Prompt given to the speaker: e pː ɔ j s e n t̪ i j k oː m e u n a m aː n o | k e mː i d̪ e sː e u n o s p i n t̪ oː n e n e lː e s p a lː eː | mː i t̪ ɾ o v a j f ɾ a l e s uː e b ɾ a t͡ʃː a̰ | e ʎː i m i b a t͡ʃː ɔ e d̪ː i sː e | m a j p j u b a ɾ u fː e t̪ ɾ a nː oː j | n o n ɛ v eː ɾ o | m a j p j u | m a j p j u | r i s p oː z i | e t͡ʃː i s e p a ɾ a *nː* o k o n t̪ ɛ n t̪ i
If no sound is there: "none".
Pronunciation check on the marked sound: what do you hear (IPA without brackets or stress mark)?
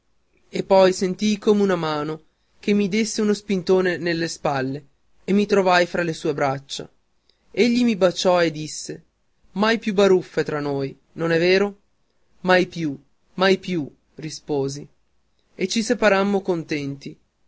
mː